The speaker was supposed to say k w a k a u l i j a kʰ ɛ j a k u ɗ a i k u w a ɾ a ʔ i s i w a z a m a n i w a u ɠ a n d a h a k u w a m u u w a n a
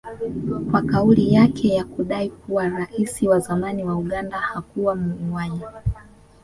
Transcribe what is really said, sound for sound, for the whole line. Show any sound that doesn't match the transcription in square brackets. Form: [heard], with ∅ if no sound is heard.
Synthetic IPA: k w a k a u l i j a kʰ ɛ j a k u ɗ a i k u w a ɾ a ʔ i s i w a z a m a n i w a u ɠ a n d a h a k u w a m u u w a [ɲ] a